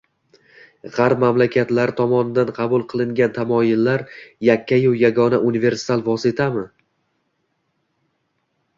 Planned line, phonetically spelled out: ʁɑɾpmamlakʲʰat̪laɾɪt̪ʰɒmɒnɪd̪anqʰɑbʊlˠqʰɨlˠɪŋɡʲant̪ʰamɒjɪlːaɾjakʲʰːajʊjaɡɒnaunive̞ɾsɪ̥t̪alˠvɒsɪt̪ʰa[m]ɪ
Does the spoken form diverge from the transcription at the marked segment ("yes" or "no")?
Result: no